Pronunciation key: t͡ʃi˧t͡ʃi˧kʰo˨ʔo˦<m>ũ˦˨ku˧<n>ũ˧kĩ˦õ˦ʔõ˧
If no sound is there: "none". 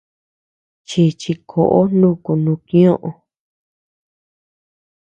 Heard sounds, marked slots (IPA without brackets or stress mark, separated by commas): n, n